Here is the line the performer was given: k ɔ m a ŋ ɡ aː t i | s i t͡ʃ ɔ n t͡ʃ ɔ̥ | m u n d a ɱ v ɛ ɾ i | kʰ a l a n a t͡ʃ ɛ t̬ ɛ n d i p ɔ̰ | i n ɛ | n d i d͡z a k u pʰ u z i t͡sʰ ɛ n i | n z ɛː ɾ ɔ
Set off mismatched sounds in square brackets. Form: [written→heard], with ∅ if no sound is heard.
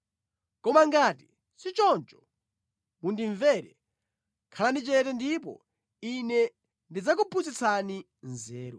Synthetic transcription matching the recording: k ɔ m a ŋ ɡ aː t i | s i t͡ʃ ɔ n t͡ʃ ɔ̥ | m u n d [a→i] ɱ v ɛ ɾ [i→ɛ] | kʰ a l a n [a→i] t͡ʃ ɛ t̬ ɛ n d i p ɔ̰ | i n ɛ | n d i d͡z a k u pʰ u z i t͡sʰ [ɛ→a] n i | n z ɛː ɾ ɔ